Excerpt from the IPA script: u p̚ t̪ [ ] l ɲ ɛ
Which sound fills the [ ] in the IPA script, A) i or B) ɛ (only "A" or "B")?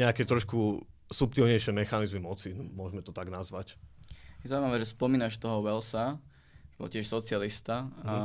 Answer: A